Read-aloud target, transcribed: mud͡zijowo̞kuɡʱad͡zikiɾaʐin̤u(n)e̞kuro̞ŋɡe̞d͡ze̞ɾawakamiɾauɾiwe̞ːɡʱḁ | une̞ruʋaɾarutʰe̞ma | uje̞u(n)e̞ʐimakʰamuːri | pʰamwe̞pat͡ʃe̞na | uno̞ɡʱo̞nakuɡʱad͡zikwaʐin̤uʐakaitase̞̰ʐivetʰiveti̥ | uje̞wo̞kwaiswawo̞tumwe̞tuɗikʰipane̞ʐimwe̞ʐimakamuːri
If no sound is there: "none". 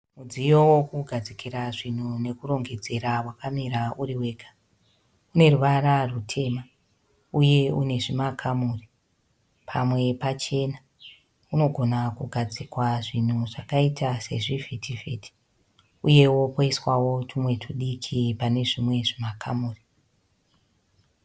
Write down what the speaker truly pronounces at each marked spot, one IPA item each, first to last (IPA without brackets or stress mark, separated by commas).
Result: n, n